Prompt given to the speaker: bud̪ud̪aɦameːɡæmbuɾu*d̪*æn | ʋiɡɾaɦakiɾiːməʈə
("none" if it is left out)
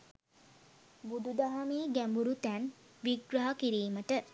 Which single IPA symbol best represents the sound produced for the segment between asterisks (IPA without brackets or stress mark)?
t̪